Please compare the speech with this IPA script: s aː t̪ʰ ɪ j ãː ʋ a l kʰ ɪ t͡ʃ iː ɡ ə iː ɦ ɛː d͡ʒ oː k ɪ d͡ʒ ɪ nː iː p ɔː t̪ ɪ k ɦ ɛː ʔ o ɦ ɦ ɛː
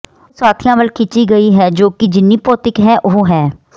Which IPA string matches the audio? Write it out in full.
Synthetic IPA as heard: s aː t̪ʰ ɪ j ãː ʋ ə l kʰ ɪ t͡ʃ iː ɡ ə iː ɦ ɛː d͡ʒ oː k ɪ d͡ʒ ɪ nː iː p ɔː t̪ ɪ k ɦ ɛː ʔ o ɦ ɦ ɛː